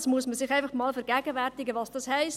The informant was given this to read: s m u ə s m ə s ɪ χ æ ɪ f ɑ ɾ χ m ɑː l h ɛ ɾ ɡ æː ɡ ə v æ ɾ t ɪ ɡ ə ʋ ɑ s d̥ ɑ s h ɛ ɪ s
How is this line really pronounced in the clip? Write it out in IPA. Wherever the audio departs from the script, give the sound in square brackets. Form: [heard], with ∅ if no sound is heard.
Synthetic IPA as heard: s m u ə s m ə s ɪ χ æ ɪ f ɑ [∅] χ m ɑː l [f] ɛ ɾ ɡ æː ɡ ə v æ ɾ t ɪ ɡ ə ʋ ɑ s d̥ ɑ s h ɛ ɪ s